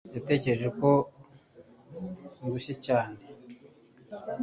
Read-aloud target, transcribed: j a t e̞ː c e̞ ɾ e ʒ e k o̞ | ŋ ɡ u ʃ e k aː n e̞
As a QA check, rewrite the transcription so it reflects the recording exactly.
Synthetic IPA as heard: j a t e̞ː c e̞ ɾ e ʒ e k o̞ | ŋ ɡ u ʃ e c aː n e̞

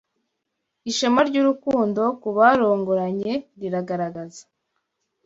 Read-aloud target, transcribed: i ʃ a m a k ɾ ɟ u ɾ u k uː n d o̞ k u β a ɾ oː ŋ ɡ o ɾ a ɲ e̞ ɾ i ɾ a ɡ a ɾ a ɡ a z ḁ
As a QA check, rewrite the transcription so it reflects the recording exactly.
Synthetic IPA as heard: i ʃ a m a ɾ ɟ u ɾ u k uː n d o̞ k u β a ɾ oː ŋ ɡ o ɾ a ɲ e̞ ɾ i ɾ a ɡ a ɾ a ɡ a z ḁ

